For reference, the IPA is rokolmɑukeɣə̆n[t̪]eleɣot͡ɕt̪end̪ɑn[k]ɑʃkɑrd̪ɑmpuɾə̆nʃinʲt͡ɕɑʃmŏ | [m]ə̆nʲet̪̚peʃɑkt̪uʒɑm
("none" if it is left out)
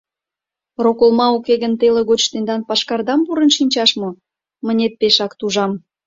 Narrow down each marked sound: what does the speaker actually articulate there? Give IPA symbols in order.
t̪, p, m

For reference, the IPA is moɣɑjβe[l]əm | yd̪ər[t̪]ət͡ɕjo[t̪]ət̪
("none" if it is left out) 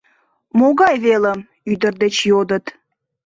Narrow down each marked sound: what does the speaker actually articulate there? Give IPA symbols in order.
l, d̪, d̪

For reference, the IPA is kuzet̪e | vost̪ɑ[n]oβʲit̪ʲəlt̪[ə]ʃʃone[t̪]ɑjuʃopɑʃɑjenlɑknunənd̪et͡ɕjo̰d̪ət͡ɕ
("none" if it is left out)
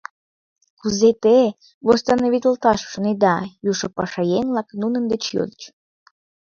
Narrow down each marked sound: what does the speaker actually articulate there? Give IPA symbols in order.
n, ɑ, d̪

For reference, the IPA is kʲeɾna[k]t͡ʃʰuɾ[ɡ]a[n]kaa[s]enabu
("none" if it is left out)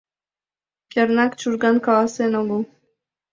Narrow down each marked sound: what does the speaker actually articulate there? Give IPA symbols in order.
k, ɡ, n, s

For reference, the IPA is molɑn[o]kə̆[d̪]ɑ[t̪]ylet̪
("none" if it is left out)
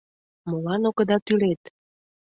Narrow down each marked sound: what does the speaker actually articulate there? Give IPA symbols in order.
o, d̪, t̪

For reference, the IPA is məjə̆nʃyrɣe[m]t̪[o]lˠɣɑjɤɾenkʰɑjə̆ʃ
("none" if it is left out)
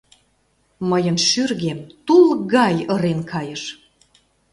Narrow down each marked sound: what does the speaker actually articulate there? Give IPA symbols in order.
m, u

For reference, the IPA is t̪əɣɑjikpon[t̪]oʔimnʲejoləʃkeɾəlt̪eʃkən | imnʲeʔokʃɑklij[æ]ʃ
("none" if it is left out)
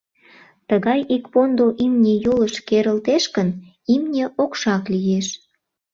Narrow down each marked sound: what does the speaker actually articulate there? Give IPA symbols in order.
d̪, e

